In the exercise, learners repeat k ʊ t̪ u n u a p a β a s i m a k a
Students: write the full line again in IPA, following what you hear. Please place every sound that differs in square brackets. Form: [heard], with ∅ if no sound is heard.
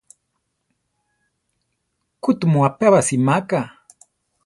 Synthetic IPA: k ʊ t̪ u [m] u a p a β a s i m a k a